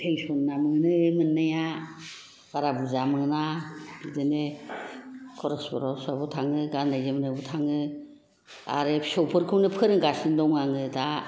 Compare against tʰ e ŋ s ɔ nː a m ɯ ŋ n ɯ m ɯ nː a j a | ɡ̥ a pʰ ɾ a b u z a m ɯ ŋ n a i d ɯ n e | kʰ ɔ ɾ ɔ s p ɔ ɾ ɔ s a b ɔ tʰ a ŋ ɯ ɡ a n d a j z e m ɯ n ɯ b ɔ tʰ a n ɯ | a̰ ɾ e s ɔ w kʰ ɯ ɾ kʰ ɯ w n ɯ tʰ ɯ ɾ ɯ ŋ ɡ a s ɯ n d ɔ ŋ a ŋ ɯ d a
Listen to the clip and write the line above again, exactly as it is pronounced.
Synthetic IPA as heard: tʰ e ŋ s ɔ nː a m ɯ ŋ n ɯ m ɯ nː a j a | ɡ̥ a ɾ a b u z a m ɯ ŋ n a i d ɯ n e | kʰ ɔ ɾ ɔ s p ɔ ɾ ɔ s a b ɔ tʰ a ŋ ɯ ɡ a n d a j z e m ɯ n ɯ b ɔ tʰ a ŋ ɯ | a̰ ɾ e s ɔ w pʰ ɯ ɾ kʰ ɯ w n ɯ pʰ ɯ ɾ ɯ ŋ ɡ a s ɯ n d ɔ ŋ a ŋ ɯ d a